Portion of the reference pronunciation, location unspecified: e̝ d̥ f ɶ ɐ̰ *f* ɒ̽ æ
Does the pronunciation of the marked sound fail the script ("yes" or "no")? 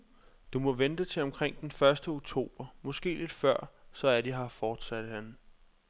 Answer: yes